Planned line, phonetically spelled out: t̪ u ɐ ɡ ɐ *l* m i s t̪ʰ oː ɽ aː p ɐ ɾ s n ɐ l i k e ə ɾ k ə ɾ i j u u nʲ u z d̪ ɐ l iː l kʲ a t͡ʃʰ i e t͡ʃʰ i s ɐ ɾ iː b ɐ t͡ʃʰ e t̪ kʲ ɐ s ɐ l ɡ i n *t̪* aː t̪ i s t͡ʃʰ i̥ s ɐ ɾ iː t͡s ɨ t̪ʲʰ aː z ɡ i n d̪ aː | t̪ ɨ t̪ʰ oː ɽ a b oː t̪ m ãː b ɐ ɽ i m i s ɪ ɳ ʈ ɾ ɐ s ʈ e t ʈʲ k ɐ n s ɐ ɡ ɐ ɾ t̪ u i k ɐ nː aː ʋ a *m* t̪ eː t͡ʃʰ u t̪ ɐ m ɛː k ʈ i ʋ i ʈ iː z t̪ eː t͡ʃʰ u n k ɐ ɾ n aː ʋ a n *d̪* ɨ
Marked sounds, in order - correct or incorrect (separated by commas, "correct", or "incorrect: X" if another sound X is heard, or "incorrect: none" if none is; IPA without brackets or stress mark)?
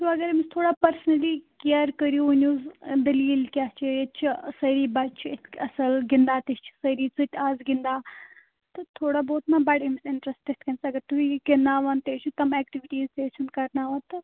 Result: incorrect: ɾ, incorrect: d̪, incorrect: n, incorrect: t̪